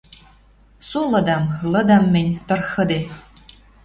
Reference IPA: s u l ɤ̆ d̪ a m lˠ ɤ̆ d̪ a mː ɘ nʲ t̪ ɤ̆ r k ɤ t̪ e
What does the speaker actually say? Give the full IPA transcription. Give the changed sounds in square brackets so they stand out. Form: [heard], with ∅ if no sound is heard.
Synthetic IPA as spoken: s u l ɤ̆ d̪ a m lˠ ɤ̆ d̪ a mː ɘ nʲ t̪ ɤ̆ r [x] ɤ [d̪] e